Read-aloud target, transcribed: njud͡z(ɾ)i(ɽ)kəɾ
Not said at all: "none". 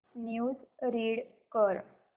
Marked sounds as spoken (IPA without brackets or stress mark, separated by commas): ɾ, ɽ